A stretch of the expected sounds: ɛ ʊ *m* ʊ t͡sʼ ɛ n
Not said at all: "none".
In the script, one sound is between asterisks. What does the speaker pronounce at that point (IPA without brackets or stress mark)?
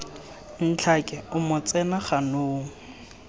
m